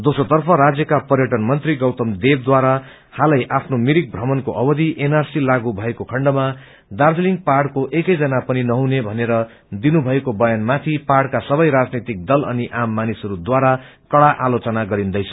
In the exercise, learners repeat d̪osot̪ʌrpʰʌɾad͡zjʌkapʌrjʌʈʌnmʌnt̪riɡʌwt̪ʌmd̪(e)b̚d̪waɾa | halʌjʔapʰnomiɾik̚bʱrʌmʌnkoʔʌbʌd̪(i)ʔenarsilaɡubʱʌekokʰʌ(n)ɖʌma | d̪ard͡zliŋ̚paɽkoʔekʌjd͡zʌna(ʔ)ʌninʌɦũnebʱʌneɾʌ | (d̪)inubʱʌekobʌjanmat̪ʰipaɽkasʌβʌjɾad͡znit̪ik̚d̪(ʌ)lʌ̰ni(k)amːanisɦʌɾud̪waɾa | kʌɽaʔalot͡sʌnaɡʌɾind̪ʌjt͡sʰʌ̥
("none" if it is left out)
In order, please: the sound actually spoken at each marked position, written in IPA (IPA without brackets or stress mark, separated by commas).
e, i, ɳ, p, d̪, ʌ, ʔ